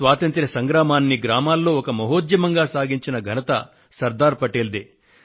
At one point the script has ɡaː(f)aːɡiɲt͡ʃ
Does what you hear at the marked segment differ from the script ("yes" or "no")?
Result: yes